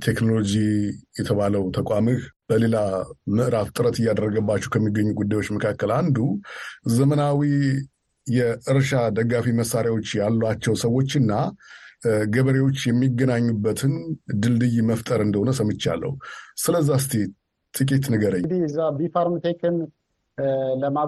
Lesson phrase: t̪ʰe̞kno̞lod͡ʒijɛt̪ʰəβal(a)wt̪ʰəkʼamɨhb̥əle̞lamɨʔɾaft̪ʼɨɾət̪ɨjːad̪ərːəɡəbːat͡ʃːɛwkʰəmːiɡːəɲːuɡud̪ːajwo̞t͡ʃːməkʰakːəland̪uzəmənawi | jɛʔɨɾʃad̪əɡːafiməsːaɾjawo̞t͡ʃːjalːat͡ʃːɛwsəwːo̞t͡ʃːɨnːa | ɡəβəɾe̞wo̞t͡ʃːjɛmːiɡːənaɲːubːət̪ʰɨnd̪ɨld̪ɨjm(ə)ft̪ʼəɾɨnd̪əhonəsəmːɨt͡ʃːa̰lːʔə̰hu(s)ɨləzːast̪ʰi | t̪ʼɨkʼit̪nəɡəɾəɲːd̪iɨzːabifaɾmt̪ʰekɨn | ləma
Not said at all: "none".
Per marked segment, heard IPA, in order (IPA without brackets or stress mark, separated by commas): ə, ə, s